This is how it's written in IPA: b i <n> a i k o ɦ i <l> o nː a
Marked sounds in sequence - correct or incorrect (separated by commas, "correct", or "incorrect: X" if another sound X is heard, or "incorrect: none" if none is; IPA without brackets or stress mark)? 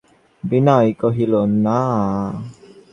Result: correct, correct